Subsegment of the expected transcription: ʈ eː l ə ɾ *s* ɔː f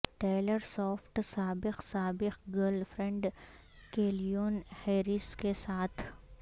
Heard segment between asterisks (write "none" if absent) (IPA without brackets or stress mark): s